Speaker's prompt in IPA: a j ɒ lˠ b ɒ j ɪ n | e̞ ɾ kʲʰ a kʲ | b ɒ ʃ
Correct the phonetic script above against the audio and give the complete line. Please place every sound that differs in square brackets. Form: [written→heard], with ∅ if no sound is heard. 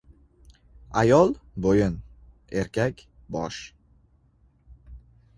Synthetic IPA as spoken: a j ɒ lˠ b [ɒ→o] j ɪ n | e̞ ɾ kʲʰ a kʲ | b ɒ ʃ